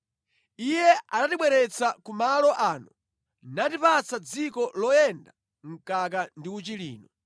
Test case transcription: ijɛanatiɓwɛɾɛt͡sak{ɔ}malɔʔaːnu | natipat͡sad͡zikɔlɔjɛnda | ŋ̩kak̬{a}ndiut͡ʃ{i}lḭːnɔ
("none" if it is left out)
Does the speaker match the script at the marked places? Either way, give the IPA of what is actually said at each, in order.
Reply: u, a, i

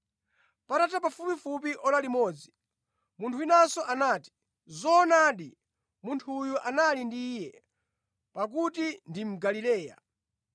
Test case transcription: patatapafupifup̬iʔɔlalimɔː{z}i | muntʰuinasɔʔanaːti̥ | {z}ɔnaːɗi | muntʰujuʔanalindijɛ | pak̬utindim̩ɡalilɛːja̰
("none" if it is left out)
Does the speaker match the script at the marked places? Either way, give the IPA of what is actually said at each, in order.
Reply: d͡z, z

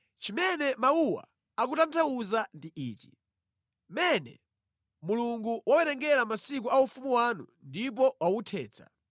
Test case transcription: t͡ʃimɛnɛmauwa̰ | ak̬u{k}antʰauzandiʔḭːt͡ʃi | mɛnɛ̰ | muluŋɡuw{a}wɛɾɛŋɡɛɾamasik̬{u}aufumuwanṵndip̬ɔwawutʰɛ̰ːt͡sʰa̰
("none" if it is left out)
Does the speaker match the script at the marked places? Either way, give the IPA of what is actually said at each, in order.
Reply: t, a, u

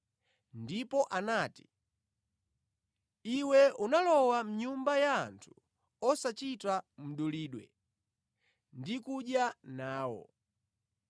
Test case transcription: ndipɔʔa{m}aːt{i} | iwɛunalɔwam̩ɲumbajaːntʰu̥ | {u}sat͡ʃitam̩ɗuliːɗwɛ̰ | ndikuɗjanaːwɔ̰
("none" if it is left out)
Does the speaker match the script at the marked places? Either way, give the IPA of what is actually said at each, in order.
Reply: n, i, ɔ

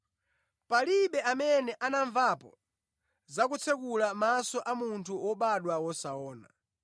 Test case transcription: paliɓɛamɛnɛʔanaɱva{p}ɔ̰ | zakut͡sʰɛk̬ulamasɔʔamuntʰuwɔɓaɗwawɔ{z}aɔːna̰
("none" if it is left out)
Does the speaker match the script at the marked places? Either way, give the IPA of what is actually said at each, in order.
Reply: p, s

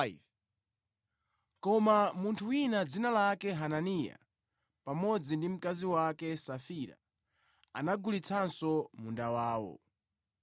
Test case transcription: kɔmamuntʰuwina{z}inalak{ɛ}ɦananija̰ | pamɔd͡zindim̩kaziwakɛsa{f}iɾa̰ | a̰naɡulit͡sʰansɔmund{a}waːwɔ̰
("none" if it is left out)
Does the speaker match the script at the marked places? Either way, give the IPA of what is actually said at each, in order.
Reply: d͡z, ɛ, f, a

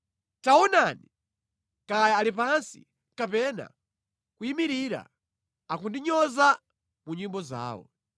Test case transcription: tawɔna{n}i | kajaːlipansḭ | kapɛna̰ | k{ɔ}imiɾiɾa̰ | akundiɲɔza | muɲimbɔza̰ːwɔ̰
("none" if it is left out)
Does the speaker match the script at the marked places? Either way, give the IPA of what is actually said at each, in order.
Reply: n, u

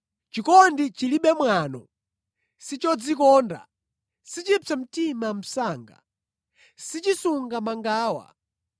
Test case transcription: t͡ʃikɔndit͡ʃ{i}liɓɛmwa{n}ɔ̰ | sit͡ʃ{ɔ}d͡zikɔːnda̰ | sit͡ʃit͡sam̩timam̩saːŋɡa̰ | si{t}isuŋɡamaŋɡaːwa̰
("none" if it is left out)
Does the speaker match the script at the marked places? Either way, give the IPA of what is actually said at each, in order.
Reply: i, n, ɔ, t͡ʃ

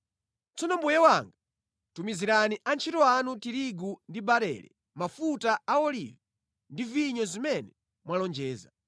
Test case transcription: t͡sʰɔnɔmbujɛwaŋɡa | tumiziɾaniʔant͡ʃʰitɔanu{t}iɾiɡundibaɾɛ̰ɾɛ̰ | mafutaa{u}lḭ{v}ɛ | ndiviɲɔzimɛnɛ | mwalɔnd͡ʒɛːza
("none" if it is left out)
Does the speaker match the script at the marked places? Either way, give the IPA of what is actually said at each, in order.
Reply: t, ɔ, v

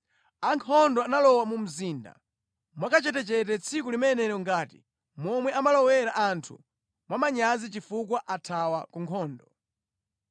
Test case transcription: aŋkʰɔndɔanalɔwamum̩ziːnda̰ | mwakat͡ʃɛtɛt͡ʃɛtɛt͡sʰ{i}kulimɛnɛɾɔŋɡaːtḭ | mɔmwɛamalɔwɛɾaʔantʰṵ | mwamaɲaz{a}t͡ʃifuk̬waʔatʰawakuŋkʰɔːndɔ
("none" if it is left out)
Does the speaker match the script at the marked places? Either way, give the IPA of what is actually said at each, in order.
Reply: i, i

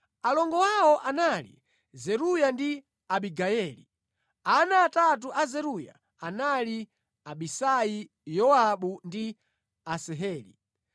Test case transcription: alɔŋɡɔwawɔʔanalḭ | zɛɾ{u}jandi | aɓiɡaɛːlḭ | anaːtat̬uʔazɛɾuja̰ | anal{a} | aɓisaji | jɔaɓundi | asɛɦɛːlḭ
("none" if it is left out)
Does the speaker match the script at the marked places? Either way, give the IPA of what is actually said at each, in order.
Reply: u, i

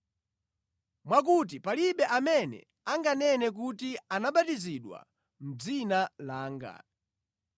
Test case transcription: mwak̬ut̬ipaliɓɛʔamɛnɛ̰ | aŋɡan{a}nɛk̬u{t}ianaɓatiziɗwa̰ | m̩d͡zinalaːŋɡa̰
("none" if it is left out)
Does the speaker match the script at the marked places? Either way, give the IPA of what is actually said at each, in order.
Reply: ɛ, t

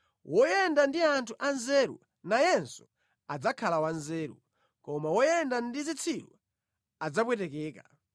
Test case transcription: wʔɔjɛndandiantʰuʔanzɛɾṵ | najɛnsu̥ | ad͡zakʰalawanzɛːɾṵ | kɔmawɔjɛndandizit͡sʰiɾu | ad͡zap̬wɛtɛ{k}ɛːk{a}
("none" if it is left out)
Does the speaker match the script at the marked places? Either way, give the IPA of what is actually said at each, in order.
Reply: k, a

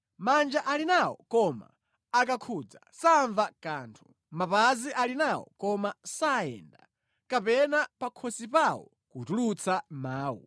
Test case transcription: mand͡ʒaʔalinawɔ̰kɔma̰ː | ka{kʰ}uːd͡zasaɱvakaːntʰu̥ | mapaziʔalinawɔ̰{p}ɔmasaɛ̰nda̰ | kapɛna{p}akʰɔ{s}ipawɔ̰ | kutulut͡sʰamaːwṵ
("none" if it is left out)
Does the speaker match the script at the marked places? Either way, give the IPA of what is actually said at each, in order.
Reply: kʰ, k, p, s

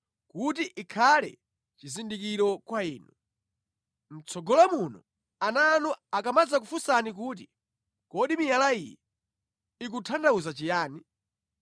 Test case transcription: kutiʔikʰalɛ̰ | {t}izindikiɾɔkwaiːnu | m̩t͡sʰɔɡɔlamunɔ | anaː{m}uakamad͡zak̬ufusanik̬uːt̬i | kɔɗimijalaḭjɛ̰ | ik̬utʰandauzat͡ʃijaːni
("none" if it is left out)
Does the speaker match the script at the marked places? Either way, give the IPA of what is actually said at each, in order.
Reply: t͡ʃ, n

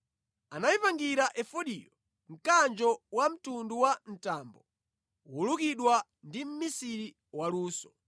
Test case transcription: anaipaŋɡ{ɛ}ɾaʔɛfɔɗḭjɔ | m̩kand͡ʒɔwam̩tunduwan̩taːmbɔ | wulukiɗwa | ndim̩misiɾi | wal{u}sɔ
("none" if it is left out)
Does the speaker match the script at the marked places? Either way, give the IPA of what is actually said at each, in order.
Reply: i, uː

